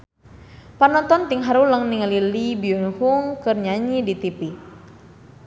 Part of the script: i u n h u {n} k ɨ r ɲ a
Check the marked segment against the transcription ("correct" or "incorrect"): incorrect